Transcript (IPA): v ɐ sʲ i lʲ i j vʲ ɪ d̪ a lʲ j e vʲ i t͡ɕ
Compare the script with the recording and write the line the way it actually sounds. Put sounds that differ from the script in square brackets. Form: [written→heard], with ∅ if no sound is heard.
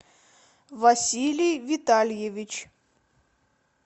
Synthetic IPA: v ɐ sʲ i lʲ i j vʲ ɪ [d̪→t̪] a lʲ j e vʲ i t͡ɕ